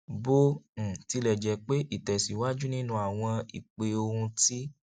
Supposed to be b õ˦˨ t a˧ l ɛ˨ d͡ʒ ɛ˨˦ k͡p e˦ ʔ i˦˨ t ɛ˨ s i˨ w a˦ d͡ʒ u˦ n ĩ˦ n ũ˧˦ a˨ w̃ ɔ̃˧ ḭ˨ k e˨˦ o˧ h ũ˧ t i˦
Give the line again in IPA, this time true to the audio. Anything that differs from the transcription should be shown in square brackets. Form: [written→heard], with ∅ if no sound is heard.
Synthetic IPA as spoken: b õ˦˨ t [a˧→i˧] l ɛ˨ d͡ʒ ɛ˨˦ k͡p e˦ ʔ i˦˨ t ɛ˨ s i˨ w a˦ d͡ʒ u˦ n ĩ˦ n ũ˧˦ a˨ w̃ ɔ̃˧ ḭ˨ [k→k͡p] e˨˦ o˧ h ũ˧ t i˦